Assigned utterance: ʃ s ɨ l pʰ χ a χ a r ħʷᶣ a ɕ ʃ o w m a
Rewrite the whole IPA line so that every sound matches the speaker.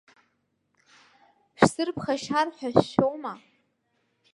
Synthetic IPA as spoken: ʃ s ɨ r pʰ χ a ʃ a r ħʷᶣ a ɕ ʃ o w m a